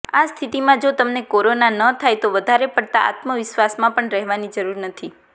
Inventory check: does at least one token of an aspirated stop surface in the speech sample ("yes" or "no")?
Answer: yes